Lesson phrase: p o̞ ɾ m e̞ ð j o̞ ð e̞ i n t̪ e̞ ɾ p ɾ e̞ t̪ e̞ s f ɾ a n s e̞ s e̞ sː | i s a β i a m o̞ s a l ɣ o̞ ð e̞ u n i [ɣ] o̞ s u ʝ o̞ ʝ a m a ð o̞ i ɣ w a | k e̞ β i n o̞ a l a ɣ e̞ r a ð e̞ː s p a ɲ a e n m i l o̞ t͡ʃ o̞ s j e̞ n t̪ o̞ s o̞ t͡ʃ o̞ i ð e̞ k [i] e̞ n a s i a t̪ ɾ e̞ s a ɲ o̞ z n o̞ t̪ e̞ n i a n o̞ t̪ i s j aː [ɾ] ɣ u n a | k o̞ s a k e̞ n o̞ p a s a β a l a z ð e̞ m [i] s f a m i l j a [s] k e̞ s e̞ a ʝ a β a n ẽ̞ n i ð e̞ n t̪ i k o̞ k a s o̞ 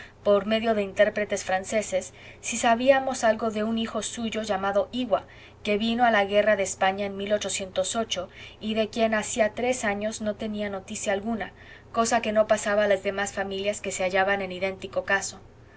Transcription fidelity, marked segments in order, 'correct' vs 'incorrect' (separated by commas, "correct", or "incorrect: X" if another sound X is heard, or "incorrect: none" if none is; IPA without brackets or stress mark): incorrect: x, incorrect: j, incorrect: l, incorrect: a, correct